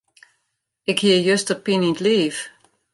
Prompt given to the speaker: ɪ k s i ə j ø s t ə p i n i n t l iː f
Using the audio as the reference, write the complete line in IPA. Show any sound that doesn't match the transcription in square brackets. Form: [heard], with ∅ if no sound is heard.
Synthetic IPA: ɪ k [h] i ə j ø s t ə p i n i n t l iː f